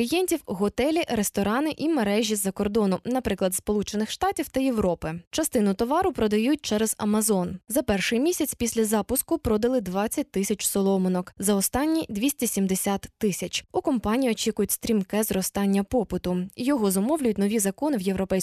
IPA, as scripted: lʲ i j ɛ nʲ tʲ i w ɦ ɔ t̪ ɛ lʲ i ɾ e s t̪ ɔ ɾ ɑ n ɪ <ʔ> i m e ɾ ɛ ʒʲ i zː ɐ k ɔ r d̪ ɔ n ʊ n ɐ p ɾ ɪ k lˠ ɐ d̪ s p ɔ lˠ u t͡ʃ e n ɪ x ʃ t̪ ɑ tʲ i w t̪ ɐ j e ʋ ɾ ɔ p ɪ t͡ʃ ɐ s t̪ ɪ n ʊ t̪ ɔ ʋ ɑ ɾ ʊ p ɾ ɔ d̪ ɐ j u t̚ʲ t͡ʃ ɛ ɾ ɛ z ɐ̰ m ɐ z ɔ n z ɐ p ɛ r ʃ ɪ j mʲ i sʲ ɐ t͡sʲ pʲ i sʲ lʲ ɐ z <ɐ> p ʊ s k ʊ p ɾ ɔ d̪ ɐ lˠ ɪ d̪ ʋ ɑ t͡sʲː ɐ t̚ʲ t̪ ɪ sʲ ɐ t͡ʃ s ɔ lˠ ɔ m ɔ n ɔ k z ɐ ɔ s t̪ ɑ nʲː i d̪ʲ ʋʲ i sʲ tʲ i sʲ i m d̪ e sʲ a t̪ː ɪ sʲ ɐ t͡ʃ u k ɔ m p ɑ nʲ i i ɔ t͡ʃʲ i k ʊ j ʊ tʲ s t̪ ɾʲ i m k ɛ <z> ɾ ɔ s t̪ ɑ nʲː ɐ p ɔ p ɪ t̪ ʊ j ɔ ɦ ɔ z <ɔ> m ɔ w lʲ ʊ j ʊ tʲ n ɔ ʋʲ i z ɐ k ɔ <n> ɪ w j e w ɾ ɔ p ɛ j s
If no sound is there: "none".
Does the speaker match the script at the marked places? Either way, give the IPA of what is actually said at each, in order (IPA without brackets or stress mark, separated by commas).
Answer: ʔ, ɑ, z, ɔ, n